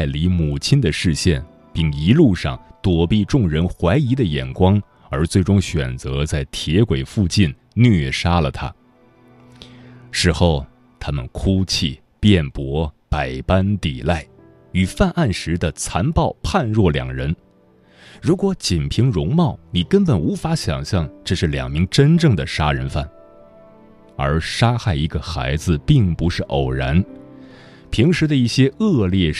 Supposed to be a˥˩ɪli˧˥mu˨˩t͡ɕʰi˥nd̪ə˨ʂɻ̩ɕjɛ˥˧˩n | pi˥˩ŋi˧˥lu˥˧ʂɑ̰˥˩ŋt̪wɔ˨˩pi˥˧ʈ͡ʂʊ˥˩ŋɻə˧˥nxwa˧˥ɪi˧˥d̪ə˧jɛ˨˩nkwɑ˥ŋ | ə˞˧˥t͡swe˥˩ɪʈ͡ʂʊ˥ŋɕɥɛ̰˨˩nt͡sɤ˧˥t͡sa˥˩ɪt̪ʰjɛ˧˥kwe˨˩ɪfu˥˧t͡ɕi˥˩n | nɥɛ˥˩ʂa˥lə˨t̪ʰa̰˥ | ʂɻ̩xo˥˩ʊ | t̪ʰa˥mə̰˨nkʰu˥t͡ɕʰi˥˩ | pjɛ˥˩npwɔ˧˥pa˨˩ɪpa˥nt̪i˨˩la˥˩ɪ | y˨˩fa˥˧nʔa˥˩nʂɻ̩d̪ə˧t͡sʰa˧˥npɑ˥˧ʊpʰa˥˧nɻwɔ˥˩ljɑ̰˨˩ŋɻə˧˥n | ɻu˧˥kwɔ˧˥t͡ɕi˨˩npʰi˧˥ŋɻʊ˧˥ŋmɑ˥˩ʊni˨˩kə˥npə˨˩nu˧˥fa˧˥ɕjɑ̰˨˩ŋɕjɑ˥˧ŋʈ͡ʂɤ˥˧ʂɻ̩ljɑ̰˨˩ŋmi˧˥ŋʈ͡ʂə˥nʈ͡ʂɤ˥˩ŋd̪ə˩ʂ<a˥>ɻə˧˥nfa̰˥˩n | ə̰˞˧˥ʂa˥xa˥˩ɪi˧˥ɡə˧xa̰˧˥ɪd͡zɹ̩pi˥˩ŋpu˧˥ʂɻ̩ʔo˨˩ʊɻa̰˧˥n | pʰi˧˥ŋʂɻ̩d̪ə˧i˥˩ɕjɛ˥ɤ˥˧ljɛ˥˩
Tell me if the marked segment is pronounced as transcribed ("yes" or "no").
yes